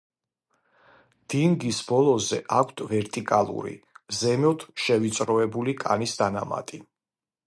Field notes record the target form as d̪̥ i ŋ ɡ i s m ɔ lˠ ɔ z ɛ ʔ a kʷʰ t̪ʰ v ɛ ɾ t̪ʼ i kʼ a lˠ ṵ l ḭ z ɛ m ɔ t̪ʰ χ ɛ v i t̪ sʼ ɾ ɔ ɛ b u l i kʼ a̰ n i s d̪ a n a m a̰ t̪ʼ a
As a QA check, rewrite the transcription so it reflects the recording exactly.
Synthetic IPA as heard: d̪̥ i ŋ ɡ i s b ɔ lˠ ɔ z ɛ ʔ a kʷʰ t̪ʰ v ɛ ɾ t̪ʼ i kʼ a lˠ ṵ ɾ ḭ z ɛ m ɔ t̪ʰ ʃ ɛ v i t̪ sʼ ɾ ɔ ɛ b u l i kʼ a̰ n i s d̪ a n a m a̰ t̪ʼ i